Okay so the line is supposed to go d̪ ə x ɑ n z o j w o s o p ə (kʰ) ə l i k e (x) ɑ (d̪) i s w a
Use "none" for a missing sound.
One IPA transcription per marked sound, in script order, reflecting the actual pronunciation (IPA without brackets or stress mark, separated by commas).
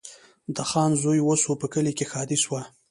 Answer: k, x, d̪